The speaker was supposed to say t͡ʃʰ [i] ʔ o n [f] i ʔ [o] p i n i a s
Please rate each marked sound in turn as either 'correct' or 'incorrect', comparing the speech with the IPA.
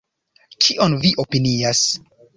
correct, incorrect, correct

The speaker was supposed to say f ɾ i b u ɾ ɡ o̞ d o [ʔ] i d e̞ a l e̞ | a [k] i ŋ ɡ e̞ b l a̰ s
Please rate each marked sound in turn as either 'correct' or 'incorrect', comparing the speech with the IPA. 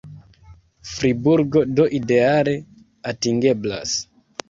correct, incorrect

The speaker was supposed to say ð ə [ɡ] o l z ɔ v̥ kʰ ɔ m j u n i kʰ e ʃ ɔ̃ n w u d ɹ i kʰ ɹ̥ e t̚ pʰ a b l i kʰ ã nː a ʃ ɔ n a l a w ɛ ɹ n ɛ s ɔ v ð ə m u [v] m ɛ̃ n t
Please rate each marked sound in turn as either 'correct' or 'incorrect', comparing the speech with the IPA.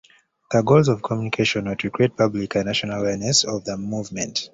correct, correct

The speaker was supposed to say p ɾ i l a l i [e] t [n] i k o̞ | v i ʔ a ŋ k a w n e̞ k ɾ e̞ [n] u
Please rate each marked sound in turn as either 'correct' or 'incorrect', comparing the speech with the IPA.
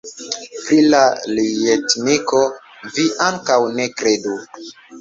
correct, correct, incorrect

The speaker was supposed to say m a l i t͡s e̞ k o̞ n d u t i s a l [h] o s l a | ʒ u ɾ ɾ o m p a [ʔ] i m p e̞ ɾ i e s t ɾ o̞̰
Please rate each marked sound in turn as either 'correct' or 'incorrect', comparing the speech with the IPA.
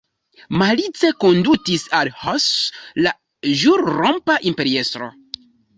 correct, correct

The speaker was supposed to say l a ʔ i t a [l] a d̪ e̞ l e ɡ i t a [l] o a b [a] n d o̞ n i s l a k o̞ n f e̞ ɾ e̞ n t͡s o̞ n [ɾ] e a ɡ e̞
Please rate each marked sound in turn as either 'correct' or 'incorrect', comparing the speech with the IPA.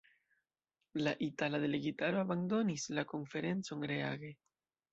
correct, incorrect, correct, correct

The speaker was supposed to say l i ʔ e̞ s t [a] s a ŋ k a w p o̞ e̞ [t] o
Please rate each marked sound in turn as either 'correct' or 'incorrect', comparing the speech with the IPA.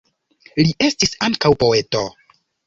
incorrect, correct

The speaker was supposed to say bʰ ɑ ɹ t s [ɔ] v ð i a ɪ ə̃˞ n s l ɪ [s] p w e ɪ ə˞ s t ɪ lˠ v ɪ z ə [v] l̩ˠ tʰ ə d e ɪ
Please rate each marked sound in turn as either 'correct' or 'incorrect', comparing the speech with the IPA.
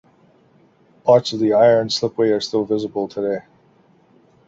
incorrect, incorrect, incorrect

